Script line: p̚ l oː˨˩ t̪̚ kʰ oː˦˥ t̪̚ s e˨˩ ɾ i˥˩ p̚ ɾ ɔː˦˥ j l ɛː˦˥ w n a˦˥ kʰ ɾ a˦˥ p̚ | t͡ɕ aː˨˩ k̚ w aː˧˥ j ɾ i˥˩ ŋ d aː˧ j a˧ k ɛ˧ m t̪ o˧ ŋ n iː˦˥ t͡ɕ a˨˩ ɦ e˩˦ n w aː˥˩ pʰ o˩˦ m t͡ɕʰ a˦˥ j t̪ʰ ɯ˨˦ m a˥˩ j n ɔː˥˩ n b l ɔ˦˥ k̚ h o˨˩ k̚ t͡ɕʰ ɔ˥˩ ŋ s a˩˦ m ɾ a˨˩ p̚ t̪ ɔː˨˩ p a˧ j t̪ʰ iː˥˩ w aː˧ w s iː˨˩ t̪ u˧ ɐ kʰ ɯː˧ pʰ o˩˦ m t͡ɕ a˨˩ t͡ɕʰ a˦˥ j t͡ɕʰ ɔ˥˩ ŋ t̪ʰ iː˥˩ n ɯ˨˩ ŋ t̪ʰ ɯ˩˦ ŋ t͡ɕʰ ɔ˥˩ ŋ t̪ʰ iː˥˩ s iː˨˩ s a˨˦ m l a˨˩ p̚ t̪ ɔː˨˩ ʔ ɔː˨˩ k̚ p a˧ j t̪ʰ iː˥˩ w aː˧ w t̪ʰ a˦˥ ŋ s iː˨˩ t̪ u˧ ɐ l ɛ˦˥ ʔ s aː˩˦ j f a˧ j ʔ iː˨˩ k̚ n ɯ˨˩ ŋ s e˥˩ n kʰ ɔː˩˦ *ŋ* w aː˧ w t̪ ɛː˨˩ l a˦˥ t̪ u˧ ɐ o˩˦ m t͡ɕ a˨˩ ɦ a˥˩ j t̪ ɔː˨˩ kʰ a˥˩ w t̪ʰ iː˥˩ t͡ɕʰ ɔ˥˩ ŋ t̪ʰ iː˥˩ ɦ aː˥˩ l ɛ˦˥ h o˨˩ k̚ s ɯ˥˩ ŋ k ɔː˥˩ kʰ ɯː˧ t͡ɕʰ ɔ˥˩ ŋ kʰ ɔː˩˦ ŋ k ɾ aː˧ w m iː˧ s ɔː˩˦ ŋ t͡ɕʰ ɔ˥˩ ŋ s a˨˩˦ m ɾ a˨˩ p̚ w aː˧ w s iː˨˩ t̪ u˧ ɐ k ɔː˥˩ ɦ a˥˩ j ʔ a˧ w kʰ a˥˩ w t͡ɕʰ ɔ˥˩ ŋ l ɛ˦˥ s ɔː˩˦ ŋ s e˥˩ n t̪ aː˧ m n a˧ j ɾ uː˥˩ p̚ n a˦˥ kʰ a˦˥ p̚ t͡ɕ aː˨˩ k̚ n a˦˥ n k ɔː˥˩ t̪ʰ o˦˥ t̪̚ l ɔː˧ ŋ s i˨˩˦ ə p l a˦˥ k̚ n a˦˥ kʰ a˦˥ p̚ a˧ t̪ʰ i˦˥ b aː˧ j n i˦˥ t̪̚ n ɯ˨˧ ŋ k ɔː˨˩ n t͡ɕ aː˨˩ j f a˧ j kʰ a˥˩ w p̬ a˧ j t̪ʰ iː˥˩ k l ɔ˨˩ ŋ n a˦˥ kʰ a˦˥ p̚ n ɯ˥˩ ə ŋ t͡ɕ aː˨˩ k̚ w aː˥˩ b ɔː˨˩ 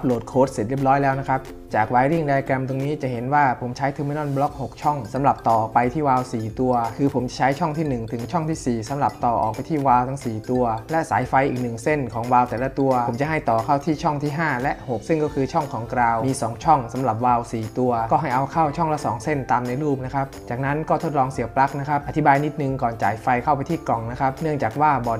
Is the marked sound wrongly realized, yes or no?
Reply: no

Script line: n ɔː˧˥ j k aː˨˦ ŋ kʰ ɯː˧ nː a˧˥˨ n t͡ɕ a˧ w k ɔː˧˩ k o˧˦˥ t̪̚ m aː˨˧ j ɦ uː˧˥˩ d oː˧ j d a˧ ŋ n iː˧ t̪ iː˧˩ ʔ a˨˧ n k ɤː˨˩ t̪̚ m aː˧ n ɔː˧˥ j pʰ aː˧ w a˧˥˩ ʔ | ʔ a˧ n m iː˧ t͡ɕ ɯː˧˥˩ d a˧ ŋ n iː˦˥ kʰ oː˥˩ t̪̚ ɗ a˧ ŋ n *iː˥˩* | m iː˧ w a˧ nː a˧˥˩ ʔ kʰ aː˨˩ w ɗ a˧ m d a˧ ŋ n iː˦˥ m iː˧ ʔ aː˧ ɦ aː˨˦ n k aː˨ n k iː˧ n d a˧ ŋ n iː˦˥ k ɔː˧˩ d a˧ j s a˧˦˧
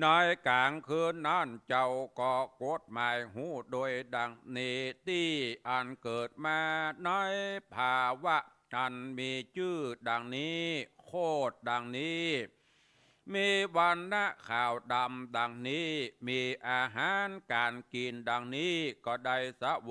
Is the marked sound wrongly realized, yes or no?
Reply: yes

